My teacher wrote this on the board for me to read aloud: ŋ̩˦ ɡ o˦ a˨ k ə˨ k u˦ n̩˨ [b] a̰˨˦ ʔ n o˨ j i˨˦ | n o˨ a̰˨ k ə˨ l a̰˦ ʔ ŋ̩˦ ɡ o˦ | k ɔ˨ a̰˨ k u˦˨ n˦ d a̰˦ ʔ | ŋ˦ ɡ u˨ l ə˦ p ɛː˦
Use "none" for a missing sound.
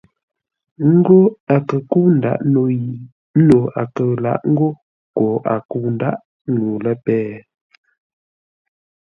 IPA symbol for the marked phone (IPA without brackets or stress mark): d